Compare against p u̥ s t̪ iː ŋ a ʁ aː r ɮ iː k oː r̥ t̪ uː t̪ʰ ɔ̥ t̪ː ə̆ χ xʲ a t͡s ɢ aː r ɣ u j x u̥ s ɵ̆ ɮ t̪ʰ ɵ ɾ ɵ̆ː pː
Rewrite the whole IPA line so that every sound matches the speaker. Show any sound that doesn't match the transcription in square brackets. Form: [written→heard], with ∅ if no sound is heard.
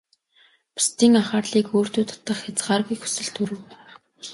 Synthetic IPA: p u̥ s t̪ iː ŋ a [ʁ→χ] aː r ɮ iː k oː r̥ t̪ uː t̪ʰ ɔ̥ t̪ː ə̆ χ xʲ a t͡s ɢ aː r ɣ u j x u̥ s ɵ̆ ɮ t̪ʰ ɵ ɾ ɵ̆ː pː

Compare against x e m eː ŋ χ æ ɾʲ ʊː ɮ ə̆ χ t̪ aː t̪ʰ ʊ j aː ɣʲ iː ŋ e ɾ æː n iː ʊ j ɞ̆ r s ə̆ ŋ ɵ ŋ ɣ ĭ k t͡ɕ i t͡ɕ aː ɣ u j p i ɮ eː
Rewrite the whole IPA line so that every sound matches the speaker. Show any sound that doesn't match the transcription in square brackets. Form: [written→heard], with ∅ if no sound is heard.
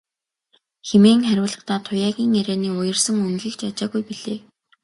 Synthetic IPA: x e m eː ŋ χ æ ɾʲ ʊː ɮ ə̆ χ t̪ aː t̪ʰ ʊ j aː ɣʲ iː ŋ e ɾ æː n iː ʊ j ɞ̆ r s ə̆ ŋ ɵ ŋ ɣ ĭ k t͡ɕ [i→a] t͡ɕ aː ɣ u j p i ɮ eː

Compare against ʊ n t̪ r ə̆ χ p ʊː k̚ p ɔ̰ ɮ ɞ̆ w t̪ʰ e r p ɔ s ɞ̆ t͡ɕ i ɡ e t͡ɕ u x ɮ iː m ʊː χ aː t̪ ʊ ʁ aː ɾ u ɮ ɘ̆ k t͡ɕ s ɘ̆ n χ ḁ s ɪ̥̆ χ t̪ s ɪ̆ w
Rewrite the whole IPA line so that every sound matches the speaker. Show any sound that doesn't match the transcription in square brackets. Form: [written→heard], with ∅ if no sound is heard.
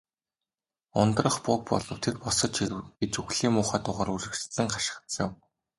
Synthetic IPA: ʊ n t̪ r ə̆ χ p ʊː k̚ p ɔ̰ ɮ ɞ̆ w t̪ʰ e r p ɔ s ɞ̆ t͡ɕ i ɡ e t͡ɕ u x ɮ iː m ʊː χ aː t̪ ʊ ʁ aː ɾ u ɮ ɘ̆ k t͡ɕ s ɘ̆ [n→ŋ] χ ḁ [s→ʃ] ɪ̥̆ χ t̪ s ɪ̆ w

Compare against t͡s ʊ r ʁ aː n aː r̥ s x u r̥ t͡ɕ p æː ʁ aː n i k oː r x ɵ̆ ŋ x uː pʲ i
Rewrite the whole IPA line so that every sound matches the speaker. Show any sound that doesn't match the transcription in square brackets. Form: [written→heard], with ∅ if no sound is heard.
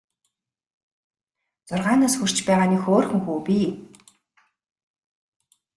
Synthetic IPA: t͡s ʊ r ʁ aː n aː [r̥→∅] s x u r̥ t͡ɕ p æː ʁ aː n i [k→x] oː r x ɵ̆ ŋ x uː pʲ i

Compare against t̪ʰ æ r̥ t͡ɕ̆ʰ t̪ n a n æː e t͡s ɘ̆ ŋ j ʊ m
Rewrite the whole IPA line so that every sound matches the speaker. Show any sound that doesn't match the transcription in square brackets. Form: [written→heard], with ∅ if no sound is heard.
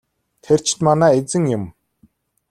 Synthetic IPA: t̪ʰ [æ→e] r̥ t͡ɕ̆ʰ t̪ [n→m] a n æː e t͡s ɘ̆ ŋ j ʊ m

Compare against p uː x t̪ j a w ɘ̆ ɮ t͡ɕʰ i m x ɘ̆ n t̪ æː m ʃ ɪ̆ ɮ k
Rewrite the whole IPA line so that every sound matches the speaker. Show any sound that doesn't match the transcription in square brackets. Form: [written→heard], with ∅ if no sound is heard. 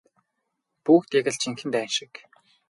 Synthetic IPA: p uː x t̪ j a [w→ɣ] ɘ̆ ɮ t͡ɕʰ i [m→ŋ] x ɘ̆ n t̪ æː [m→n] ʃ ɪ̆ [ɮ→∅] k

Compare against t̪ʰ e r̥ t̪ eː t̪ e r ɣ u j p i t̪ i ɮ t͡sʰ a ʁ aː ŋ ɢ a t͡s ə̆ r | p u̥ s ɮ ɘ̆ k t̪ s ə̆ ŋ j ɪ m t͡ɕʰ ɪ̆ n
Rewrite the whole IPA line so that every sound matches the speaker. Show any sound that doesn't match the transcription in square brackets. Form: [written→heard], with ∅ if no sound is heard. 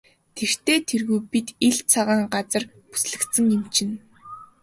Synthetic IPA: t̪ʰ e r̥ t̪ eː [t̪→t̪ʰ] e r ɣ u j p i t̪ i ɮ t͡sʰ a ʁ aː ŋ ɢ a t͡s ə̆ r | p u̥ s ɮ ɘ̆ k t̪ s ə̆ ŋ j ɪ m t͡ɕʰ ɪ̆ n

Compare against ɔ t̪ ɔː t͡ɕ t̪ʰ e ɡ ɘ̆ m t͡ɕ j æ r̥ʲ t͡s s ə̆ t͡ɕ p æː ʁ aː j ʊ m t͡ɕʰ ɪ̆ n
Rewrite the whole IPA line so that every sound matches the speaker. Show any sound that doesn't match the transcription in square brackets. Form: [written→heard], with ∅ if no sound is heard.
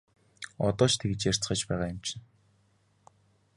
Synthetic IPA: ɔ t̪ ɔː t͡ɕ t̪ʰ e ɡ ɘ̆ [m→∅] t͡ɕ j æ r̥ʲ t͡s [s→χ] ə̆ t͡ɕ p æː ʁ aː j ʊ m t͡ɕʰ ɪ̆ n

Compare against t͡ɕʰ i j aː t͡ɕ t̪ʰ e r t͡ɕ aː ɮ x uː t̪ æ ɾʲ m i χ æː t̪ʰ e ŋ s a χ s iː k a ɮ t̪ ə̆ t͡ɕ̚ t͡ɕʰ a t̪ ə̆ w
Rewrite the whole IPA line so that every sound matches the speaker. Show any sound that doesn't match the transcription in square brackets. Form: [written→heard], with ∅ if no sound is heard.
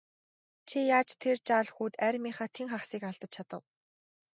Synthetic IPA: t͡ɕʰ i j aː t͡ɕ t̪ʰ e r t͡ɕ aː ɮ x uː t̪ æ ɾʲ m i χ [æː→aː] t̪ʰ e ŋ [s→χ] a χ s iː k a ɮ t̪ ə̆ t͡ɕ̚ t͡ɕʰ a t̪ ə̆ w

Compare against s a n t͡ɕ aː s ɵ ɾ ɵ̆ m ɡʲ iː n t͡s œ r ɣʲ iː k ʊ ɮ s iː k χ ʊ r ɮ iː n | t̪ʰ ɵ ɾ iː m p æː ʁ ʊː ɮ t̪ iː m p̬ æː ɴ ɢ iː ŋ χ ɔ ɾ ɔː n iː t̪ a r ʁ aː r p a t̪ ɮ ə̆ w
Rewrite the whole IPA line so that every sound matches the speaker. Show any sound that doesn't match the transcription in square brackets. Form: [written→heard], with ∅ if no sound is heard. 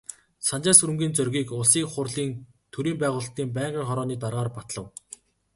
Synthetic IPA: s a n t͡ɕ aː s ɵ ɾ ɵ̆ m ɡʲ iː n t͡s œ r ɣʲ iː k ʊ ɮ s iː k χ ʊ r ɮ iː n | t̪ʰ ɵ ɾ iː m p æː ʁ ʊː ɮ t̪ iː m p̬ æː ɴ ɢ iː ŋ χ ɔ ɾ ɔː n iː t̪ a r ʁ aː r p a t̪ ɮ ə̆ w

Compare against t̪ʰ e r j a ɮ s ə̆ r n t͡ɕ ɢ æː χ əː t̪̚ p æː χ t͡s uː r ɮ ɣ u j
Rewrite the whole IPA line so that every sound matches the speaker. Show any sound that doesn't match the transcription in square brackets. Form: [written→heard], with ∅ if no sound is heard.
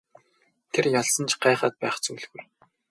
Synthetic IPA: t̪ʰ e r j a ɮ s ə̆ [r→∅] n t͡ɕ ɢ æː χ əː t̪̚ p æː χ t͡s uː [r→∅] ɮ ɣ u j

